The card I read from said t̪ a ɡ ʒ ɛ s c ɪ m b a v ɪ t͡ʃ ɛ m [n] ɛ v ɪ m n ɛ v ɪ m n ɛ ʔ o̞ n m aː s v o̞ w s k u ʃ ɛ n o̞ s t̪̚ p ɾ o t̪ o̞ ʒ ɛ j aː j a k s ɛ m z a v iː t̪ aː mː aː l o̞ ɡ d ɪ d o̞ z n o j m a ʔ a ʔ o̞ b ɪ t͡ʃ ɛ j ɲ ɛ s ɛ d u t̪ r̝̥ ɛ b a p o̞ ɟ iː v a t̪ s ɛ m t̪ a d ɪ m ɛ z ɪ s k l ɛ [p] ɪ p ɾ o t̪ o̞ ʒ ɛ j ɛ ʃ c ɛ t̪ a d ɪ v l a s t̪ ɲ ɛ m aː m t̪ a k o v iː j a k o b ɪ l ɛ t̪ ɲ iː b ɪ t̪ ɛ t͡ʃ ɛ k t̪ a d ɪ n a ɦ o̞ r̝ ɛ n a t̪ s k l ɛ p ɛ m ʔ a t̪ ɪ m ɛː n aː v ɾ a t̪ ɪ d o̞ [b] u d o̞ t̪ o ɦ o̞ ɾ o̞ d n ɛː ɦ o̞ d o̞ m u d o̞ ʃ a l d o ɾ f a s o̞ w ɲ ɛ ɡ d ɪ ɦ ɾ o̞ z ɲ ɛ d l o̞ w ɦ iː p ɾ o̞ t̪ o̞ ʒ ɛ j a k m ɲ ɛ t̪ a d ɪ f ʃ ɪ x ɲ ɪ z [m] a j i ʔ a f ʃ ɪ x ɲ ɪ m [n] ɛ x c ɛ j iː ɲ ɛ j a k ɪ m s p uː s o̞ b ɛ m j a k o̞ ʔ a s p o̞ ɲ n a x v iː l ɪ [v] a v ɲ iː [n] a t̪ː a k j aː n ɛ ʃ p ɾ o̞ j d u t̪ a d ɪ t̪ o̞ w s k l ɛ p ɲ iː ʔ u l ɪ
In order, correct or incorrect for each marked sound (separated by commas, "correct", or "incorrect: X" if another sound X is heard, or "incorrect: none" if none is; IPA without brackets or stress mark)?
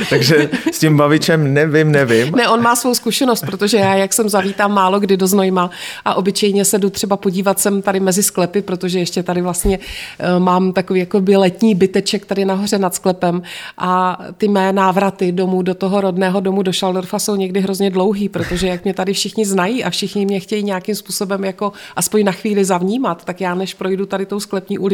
correct, correct, incorrect: m, incorrect: n, incorrect: ɲ, incorrect: z, incorrect: m